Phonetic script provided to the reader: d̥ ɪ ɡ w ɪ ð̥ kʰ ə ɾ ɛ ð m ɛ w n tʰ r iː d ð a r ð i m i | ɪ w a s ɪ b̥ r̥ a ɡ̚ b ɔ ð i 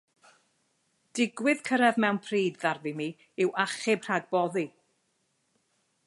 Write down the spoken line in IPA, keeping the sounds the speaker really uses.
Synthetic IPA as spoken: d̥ ɪ ɡ w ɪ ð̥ kʰ ə ɾ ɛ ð m ɛ w n pʰ r iː d ð a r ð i m i | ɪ w a χ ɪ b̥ r̥ a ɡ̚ b ɔ ð i